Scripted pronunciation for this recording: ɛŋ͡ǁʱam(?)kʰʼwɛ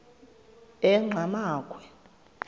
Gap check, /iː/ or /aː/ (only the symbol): aː